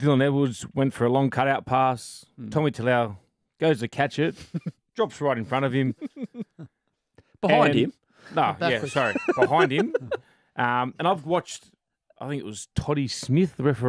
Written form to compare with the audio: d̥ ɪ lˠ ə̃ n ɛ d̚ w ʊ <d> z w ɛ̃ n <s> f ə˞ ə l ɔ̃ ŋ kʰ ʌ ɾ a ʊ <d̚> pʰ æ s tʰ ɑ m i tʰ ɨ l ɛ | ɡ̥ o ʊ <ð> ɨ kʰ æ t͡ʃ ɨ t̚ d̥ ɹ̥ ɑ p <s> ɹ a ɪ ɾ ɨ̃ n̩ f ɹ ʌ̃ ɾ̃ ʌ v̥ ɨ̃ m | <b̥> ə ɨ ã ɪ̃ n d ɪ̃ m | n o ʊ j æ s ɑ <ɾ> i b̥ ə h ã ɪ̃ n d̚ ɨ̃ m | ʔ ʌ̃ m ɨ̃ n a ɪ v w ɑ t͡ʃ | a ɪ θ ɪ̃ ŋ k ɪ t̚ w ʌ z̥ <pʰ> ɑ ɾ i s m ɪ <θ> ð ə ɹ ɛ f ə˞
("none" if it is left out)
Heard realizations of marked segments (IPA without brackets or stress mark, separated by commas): d, t, t̚, z, s, b̥, ɹ, tʰ, θ